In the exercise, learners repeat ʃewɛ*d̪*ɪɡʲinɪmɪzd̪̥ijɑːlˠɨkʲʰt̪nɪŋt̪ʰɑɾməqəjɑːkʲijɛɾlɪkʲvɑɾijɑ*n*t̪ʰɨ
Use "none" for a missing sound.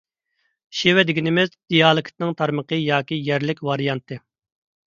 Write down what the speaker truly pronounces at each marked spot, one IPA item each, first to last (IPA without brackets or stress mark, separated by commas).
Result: d̪, n